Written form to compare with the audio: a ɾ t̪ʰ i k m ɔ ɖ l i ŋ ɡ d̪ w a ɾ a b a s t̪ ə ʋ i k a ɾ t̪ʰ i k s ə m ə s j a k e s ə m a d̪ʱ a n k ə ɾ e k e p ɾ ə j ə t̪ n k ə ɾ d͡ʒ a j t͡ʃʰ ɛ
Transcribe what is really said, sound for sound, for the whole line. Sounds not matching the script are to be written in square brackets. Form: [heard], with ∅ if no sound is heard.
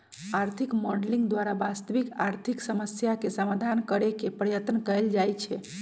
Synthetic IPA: a ɾ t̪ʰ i k m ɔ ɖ l i ŋ ɡ d̪ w a ɾ a b a s t̪ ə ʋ i k a ɾ t̪ʰ i k s ə m ə s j a k e s ə m a d̪ʱ a n k ə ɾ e k e p ɾ ə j ə t̪ n k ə [l] d͡ʒ a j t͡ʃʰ ɛ